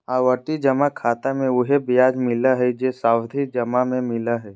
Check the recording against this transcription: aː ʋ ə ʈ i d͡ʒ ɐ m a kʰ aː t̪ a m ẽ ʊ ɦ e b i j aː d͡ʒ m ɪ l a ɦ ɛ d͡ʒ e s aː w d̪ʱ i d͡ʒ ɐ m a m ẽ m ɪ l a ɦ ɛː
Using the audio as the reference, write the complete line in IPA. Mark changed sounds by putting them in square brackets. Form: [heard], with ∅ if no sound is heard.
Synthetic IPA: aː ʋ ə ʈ i d͡ʒ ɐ m a kʰ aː t̪ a m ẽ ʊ ɦ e b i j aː d͡ʒ m ɪ l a ɦ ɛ d͡ʒ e s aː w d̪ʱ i d͡ʒ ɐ m a m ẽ m ɪ l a ɦ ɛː